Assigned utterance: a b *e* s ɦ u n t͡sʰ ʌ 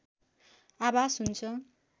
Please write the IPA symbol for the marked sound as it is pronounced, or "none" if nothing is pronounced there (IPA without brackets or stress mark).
a